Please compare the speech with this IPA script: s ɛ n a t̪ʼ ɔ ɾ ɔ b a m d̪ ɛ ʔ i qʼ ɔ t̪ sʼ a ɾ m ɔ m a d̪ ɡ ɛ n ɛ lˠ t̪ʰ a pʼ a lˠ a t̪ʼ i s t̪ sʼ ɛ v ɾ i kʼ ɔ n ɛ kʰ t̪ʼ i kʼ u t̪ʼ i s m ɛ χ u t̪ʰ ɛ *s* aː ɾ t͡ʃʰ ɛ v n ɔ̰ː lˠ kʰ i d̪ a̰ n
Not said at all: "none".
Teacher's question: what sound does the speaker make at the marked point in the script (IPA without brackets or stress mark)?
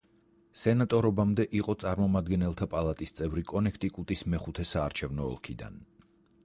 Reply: s